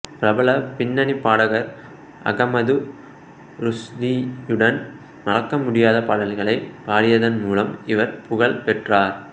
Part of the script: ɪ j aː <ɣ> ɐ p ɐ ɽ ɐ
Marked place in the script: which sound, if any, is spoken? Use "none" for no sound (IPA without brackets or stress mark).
ð